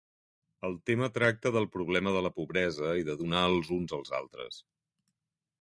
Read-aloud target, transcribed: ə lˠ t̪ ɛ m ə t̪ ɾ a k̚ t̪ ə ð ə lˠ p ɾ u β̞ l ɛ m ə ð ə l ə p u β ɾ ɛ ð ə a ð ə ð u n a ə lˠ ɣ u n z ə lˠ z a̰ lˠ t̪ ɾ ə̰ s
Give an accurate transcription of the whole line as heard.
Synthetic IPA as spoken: ə lˠ t̪ e m ə t̪ ɾ a k̚ t̪ ə ð ə lˠ p ɾ u β̞ l ɛ m ə ð ə l ə p u β ɾ ɛ z ə i ð ə ð u n a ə lˠ z u n z ə lˠ z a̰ lˠ t̪ ɾ ə̰ s